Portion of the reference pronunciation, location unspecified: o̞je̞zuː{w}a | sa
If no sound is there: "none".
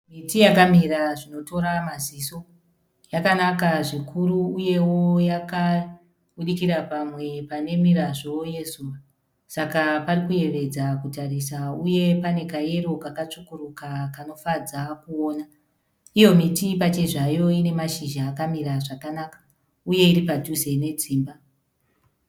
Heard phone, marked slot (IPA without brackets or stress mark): ʋ